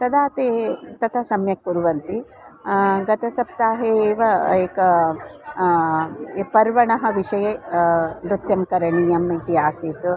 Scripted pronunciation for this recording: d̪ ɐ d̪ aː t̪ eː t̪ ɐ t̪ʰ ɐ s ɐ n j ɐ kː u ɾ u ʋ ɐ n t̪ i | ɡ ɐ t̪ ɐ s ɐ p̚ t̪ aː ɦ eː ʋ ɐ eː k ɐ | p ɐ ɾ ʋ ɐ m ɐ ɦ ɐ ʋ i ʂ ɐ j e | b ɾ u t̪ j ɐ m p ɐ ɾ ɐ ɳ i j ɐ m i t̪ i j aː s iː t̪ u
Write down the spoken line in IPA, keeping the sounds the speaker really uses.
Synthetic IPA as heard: t̪ ɐ d̪ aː t̪ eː t̪ ɐ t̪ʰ ɐ s ɐ m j ɐ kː u ɾ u ʋ ɐ n t̪ i | ɡ ɐ t̪ ɐ s ɐ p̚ t̪ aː ɦ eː ʋ ɐ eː k ɐ | p ɐ ɾ ʋ ɐ ɳ ɐ ɦ ɐ ʋ i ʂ ɐ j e | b ɾ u t̪ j ɐ m k ɐ ɾ ɐ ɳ i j ɐ m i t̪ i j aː s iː t̪ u